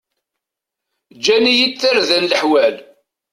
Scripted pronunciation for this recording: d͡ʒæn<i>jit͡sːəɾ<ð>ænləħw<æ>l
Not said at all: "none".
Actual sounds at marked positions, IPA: i, ð, æ

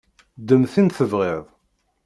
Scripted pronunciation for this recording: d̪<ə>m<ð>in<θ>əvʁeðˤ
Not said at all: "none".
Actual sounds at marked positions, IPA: ə, θ, θ

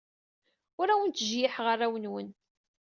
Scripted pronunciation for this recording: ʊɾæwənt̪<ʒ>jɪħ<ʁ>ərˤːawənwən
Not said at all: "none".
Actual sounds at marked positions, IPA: ʒ, ʁ

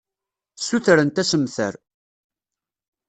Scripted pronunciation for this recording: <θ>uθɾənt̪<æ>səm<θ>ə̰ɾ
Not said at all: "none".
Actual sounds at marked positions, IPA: s, æ, θ

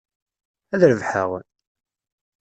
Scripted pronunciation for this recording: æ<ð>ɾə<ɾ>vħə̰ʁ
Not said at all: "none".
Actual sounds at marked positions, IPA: ð, none

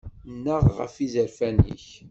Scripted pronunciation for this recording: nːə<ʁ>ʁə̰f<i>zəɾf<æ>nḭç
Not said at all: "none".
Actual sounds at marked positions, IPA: ʁ, i, æ

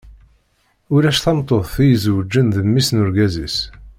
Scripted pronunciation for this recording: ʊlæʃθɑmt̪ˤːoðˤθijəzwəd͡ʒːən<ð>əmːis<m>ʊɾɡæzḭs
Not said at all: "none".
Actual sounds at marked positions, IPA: ð, n

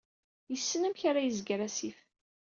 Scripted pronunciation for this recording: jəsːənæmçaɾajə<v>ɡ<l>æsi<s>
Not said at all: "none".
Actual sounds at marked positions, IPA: z, ɾ, f

